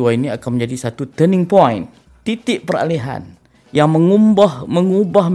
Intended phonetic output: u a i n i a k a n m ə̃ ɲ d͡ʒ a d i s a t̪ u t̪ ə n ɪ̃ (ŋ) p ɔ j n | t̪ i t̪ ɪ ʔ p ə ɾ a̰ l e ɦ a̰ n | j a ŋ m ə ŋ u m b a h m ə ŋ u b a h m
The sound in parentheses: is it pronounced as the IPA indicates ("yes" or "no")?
yes